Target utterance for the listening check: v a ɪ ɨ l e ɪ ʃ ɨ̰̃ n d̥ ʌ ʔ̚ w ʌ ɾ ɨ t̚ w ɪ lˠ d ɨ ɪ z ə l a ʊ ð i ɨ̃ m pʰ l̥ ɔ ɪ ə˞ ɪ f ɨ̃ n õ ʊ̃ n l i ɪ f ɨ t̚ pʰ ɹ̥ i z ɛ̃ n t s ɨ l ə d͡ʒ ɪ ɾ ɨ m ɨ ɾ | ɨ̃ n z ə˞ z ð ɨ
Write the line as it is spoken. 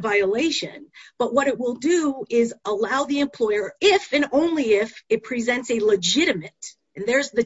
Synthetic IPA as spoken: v a ɪ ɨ l e ɪ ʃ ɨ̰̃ n b̥ ʌ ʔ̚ w ʌ ɾ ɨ t̚ w ɪ lˠ d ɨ ɪ z ə l a ʊ ð i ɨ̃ m pʰ l̥ ɔ ɪ ə˞ ɪ f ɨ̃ n õ ʊ̃ n l i ɪ f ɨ t̚ pʰ ɹ̥ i z ɛ̃ n t s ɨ l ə d͡ʒ ɪ ɾ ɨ m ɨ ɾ | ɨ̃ n ð ə˞ z ð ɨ

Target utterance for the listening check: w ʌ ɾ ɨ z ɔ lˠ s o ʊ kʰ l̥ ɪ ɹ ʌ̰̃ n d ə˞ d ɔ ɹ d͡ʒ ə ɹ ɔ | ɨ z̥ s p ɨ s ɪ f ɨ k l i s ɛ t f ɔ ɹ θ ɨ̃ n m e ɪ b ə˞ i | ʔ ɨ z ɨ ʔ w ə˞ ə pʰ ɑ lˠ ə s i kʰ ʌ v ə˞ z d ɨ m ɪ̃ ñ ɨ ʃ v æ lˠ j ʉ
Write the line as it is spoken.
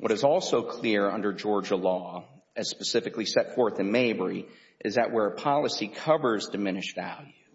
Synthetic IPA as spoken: w ʌ ɾ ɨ z ɔ lˠ s o ʊ kʰ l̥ ɪ ɹ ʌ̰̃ n d ə˞ d͡ʒ ɔ ɹ d͡ʒ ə l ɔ | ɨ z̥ s p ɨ s ɪ f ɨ k l i s ɛ t f ɔ ɹ θ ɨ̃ n m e ɪ b ə˞ i | ʔ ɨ z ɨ ʔ w ə˞ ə pʰ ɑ lˠ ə s i kʰ ʌ v ə˞ z d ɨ m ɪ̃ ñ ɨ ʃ v æ lˠ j ʉ

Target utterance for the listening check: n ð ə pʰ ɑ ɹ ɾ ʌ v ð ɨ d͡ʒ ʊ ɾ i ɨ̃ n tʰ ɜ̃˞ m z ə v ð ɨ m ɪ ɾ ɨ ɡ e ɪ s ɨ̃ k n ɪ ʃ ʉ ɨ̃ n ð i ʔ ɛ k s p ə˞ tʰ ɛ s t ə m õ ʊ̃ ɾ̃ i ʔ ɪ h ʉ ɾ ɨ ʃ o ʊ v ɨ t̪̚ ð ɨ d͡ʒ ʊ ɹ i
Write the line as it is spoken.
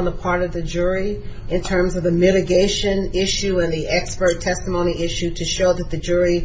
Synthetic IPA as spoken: n ð ə pʰ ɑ ɹ ɾ ʌ v ð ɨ d͡ʒ ʊ ɹ i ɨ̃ n tʰ ɜ̃˞ m z ʌ v ð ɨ m ɪ ɾ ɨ ɡ e ɪ ʃ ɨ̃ n ɪ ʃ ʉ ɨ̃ n ð i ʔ ɛ k s p ə˞ tʰ ɛ s t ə m õ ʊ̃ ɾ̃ i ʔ ɪ ʃ ʉ ɾ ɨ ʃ o ʊ ð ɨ t̪̚ ð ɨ d͡ʒ ʊ ɹ i

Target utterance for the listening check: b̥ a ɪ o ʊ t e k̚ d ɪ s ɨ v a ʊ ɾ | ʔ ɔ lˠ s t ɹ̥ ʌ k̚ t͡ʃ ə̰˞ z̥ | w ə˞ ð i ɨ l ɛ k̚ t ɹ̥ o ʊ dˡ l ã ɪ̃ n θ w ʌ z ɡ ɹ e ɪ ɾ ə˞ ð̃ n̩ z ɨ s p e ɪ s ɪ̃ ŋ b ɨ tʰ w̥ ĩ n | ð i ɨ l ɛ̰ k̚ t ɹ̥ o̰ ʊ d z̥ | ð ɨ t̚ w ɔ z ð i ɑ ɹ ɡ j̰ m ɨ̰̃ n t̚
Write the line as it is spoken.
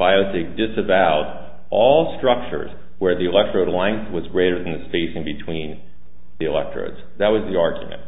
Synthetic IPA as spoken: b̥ a ɪ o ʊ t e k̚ d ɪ s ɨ v a ʊ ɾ | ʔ ɔ lˠ s t ɹ̥ ʌ k̚ t͡ʃ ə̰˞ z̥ | w ə˞ ð i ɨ l ɛ k̚ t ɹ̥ o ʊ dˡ l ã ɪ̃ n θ w ʌ z ɡ ɹ e ɪ ɾ ə˞ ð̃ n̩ ð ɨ s p e ɪ s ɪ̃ ŋ b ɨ tʰ w̥ ĩ n | ð i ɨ l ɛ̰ k̚ t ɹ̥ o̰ ʊ d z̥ | ð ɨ t̚ w ʌ z ð i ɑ ɹ ɡ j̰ m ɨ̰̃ n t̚

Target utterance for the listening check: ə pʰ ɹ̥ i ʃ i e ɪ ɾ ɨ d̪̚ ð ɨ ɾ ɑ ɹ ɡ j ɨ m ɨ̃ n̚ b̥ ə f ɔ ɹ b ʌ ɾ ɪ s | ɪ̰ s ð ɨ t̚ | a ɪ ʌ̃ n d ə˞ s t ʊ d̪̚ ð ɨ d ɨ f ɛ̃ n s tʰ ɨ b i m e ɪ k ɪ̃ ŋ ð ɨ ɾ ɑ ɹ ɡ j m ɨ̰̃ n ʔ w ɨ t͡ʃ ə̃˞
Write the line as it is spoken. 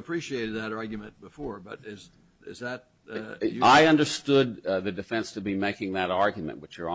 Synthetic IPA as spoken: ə pʰ ɹ̥ i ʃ i e ɪ ɾ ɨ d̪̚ ð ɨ ɾ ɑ ɹ ɡ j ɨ m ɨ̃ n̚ b̥ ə f ɔ ɹ b ʌ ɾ ɪ z | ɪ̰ z ð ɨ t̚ | a ɪ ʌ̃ n d ə˞ s t ʊ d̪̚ ð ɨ d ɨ f ɛ̃ n s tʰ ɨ b i m e ɪ k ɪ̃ ŋ ð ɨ ɾ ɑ ɹ ɡ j m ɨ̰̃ n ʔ w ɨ t͡ʃ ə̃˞

